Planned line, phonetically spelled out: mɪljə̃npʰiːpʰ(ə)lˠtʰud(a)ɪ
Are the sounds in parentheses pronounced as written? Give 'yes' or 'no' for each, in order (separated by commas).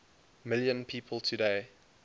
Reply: yes, no